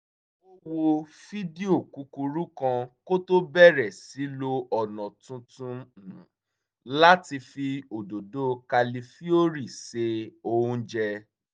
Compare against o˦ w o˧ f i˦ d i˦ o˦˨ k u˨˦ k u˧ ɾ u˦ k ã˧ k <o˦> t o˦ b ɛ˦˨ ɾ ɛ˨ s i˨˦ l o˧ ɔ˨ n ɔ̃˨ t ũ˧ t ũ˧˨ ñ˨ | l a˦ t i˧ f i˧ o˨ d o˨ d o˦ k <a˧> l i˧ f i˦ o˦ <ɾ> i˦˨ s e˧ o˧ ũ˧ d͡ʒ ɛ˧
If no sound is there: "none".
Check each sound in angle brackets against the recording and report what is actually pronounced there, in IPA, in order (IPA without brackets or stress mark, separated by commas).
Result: o˦, a˧, ɾ